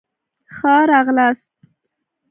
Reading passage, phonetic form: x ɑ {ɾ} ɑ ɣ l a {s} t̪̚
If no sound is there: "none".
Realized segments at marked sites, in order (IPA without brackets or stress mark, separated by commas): ɾ, s